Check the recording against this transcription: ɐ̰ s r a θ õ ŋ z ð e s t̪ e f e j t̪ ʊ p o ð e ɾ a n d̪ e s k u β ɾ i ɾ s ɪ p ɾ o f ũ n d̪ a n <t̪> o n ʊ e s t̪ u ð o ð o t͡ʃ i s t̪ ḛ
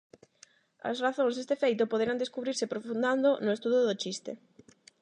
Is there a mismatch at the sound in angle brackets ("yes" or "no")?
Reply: yes